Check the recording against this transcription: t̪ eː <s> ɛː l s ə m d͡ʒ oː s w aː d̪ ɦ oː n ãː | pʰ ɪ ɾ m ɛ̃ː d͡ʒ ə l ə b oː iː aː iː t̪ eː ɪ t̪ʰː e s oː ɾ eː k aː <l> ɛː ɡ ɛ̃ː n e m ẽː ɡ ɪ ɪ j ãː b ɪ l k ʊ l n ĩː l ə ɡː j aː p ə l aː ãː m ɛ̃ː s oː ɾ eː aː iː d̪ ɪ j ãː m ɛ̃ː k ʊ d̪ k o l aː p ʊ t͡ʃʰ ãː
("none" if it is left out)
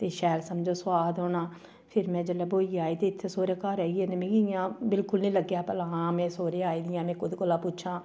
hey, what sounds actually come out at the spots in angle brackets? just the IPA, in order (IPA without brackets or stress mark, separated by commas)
ʃ, ɾ